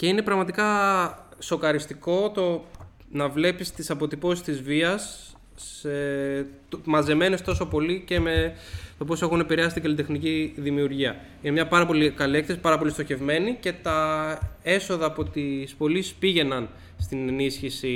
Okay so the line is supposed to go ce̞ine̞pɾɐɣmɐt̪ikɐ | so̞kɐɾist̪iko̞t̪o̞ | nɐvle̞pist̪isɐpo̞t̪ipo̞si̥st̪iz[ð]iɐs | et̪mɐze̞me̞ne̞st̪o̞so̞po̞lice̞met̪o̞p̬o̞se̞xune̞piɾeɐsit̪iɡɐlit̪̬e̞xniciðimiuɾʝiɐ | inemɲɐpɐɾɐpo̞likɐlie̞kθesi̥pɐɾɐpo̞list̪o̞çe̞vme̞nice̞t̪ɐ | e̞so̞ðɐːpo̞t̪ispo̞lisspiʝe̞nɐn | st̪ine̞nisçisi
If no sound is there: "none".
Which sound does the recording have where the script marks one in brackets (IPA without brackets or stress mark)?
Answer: v